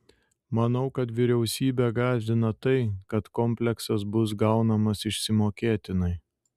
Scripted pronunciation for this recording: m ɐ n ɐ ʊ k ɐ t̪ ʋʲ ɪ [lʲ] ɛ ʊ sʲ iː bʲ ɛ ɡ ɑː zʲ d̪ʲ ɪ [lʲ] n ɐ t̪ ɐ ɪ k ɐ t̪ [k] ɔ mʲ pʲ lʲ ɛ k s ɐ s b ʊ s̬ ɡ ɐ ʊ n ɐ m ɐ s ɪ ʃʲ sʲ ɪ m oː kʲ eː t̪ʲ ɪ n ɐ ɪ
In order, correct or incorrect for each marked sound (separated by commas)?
incorrect, incorrect, correct